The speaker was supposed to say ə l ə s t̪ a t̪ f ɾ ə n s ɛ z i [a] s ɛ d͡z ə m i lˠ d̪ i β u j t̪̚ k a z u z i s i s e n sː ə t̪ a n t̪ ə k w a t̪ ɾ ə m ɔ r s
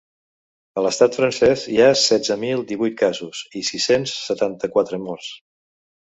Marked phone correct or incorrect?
correct